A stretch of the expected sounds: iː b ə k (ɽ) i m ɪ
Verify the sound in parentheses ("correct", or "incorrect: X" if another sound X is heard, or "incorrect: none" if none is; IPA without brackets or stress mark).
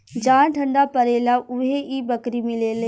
incorrect: ɾ